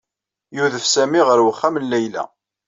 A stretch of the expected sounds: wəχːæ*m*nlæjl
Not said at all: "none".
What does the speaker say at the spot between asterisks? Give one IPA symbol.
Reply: m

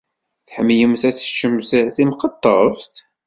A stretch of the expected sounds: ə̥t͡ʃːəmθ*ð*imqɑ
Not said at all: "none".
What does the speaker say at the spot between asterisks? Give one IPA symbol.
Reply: θ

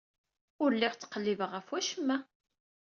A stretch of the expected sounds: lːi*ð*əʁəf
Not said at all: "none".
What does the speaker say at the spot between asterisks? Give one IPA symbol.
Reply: v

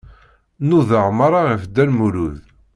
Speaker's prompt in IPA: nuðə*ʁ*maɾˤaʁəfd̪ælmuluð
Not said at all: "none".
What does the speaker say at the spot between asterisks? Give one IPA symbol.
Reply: ʁ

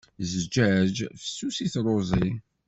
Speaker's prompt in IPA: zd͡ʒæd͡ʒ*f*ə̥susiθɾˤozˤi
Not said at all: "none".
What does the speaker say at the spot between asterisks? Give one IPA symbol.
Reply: f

